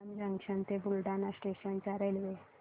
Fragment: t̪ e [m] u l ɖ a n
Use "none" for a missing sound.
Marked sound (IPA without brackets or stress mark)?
b